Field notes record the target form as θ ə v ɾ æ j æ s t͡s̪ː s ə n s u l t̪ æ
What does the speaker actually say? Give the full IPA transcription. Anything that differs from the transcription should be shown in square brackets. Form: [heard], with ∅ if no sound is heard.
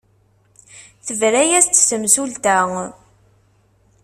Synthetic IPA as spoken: θ ə v ɾ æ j æ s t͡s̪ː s ə [m] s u l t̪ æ